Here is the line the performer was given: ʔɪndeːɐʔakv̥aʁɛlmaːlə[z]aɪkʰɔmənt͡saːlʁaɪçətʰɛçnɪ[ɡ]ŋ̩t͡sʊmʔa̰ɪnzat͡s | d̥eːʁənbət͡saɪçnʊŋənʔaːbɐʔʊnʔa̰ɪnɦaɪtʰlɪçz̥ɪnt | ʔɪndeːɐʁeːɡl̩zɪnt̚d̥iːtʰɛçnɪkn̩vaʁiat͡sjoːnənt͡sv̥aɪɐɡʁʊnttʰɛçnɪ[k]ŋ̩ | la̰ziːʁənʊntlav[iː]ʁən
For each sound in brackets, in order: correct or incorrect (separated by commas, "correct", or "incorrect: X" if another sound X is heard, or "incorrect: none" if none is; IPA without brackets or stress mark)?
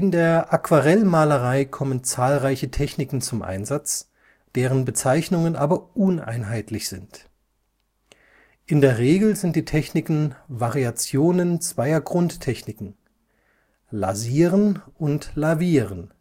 incorrect: ʁ, incorrect: k, correct, correct